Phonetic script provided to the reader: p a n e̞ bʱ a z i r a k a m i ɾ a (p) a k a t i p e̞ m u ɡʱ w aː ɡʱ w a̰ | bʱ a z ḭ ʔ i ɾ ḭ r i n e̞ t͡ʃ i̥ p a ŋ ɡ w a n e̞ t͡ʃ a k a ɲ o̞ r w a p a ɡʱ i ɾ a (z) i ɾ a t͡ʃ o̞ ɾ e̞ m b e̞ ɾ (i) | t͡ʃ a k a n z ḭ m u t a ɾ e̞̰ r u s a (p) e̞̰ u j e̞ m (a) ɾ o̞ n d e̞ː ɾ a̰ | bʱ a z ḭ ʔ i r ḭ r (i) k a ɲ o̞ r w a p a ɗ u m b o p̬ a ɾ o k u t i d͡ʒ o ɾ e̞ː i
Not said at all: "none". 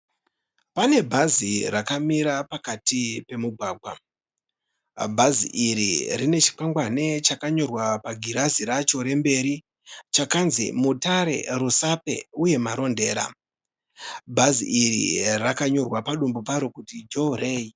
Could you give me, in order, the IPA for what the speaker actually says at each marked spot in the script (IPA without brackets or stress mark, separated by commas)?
p, z, i, p, a, a